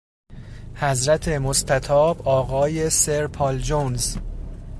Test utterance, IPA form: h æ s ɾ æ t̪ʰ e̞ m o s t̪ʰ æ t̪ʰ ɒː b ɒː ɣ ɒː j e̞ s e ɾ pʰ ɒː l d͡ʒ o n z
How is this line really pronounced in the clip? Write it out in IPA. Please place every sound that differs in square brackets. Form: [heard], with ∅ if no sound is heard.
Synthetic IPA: h æ [z] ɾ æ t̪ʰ e̞ m o s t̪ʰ æ t̪ʰ ɒː b ɒː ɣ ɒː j e̞ s e ɾ pʰ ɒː l d͡ʒ o n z